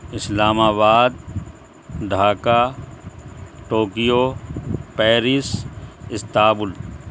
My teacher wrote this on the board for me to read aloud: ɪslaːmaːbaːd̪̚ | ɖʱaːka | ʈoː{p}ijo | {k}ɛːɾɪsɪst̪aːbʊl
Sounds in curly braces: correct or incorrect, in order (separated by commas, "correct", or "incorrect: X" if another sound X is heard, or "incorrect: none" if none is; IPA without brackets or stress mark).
incorrect: k, incorrect: p